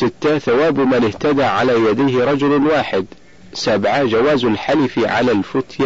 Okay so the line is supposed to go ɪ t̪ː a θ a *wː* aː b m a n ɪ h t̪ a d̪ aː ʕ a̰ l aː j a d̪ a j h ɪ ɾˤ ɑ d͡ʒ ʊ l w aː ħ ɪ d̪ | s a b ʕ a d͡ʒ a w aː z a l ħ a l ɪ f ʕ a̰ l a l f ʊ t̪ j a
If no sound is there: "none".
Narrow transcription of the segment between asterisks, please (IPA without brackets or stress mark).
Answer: w